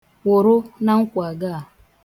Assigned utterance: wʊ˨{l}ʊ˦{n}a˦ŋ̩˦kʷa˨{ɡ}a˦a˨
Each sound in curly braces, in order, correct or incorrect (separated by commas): incorrect, correct, correct